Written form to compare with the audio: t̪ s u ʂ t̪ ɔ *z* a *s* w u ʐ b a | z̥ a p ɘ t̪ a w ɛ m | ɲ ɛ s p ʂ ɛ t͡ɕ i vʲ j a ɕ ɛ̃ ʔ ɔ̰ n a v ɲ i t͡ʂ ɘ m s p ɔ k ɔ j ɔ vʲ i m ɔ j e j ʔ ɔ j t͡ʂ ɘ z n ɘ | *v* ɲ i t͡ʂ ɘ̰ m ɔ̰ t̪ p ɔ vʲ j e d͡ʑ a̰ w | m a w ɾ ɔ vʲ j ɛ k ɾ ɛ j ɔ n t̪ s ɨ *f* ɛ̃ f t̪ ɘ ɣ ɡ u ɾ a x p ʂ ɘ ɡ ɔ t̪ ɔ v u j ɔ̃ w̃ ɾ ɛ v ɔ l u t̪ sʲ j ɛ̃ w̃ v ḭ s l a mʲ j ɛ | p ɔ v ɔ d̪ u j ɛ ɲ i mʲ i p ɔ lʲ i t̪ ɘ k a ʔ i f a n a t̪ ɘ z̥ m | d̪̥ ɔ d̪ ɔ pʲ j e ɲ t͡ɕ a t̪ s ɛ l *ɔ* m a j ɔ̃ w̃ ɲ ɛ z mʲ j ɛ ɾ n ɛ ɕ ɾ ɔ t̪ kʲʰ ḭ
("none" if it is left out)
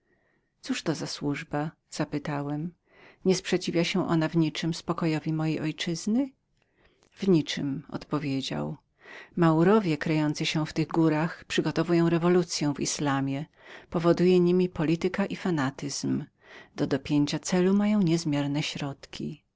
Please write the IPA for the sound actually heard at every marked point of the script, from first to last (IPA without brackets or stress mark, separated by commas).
z, s, v, ɕ, u